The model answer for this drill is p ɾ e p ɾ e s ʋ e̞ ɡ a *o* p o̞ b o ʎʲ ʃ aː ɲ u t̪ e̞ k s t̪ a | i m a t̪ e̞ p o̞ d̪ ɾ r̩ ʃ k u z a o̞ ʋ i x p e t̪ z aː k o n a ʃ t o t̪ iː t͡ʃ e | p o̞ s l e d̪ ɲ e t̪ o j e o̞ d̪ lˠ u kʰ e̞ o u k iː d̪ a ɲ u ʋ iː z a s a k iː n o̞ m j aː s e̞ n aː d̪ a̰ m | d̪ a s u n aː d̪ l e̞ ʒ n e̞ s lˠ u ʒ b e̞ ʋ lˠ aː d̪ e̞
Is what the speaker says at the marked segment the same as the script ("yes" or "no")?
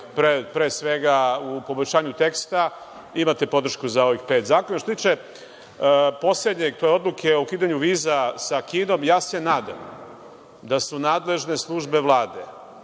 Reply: no